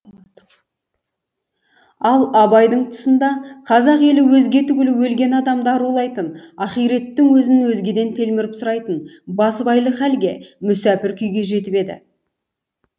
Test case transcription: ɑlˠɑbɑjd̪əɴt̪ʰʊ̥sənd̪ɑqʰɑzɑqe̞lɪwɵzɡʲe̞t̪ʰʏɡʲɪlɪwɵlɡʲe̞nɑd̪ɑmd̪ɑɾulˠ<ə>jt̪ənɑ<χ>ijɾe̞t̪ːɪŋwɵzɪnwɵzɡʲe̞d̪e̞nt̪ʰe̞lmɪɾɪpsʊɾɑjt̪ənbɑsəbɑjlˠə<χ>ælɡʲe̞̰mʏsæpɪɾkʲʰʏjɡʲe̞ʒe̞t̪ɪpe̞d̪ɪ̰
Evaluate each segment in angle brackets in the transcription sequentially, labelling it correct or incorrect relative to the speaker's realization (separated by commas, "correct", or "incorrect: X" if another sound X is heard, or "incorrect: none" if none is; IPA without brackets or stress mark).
incorrect: ɑ, correct, correct